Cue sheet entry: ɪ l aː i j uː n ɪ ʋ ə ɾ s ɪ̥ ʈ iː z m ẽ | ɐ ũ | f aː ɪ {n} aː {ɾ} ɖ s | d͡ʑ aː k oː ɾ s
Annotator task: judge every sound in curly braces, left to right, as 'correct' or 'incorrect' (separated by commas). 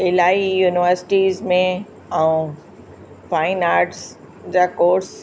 correct, correct